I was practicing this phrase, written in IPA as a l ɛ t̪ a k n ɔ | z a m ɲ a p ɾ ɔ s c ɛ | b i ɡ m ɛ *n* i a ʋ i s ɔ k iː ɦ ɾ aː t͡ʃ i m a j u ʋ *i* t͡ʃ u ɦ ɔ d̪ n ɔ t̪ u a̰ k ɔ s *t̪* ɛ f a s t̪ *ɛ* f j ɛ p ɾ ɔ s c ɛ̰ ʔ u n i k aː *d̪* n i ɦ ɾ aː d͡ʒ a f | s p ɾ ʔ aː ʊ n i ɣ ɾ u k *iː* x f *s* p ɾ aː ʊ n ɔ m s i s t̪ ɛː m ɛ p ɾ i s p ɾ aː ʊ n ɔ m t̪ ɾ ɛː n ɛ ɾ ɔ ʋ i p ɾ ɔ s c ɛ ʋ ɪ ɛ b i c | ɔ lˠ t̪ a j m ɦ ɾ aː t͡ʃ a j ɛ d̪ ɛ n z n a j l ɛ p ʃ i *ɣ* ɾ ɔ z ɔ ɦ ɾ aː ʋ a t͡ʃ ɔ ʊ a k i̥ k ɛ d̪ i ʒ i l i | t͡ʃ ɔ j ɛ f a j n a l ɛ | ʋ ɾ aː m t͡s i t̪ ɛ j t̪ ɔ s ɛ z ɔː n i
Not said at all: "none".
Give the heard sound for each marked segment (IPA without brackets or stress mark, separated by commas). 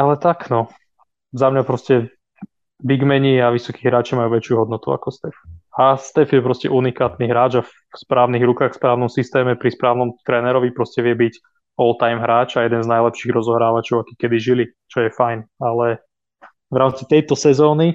ɲ, ɛ, t̪, ɛ, t̪, aː, s, ɣ